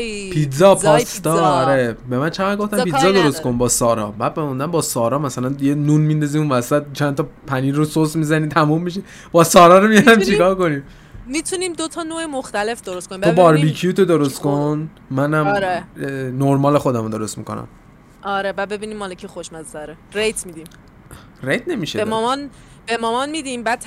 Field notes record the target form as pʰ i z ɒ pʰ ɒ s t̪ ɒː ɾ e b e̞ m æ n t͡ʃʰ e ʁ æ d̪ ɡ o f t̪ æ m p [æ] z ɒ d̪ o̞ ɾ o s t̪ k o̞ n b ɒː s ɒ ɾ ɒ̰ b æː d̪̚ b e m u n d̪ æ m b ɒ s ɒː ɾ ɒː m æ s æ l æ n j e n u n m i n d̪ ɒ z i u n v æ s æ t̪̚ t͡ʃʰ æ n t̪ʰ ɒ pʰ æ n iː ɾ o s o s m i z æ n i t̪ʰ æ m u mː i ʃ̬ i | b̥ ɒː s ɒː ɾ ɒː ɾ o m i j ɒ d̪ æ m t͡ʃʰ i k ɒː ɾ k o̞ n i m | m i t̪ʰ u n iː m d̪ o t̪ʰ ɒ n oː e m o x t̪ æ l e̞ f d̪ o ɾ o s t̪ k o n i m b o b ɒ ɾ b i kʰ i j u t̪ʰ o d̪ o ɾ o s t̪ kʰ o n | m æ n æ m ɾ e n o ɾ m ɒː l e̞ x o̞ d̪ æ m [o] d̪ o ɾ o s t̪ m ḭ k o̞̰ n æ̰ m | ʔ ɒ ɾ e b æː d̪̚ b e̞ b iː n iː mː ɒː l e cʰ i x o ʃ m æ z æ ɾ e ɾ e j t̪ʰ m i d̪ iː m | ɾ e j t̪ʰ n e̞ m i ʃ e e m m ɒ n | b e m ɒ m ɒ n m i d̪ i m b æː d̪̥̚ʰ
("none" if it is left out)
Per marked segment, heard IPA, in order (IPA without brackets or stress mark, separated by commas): i, o